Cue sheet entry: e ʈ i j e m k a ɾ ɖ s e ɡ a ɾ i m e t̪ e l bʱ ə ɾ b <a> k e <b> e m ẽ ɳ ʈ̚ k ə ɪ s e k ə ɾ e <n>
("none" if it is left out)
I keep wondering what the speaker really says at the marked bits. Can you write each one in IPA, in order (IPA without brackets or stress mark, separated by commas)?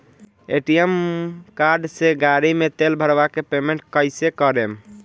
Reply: a, p, m